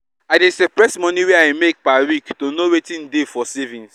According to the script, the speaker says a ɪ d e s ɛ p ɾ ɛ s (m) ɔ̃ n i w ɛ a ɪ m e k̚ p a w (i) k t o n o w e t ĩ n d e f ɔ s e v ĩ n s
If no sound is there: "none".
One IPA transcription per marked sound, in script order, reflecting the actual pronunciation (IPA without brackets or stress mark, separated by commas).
m, i